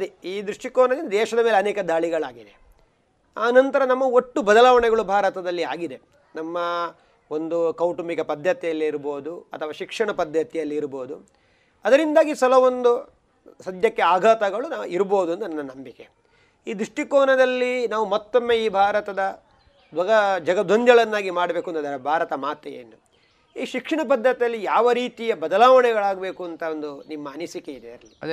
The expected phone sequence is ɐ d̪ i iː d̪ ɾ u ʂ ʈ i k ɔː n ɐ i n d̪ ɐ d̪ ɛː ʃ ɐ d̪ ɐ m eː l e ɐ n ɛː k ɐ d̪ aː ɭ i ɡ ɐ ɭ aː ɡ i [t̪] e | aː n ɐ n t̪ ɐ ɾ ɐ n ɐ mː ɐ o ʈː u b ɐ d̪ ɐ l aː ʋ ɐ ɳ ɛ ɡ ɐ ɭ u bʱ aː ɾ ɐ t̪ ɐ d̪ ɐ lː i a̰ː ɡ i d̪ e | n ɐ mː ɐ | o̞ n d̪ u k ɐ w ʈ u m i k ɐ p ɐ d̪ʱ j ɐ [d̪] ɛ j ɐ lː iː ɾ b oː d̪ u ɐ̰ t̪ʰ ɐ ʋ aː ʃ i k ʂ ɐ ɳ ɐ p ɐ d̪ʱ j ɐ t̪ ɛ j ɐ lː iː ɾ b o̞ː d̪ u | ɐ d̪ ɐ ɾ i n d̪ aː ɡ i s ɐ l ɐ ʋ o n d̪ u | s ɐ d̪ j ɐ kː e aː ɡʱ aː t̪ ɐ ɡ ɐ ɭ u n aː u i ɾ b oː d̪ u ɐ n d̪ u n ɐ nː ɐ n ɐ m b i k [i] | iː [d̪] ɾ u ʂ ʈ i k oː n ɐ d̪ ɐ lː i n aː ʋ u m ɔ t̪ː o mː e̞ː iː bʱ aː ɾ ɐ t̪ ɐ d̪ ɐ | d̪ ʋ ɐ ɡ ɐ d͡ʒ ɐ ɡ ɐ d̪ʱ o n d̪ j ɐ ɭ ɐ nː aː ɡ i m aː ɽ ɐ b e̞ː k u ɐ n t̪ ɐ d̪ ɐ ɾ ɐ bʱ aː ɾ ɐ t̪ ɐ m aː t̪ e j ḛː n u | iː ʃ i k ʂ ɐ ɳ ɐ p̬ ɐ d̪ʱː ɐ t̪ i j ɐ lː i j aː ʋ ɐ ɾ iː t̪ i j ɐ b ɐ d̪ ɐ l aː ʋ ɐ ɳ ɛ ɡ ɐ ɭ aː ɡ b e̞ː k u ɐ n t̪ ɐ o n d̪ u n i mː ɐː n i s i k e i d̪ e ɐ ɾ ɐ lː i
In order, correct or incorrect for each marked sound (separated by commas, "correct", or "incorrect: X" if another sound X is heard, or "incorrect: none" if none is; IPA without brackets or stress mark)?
incorrect: d̪, incorrect: t̪, incorrect: e, correct